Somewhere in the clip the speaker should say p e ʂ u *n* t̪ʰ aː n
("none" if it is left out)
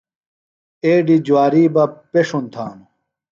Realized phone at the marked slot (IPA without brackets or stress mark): n